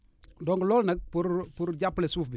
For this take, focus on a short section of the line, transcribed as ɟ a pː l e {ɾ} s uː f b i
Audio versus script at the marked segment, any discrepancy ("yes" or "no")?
yes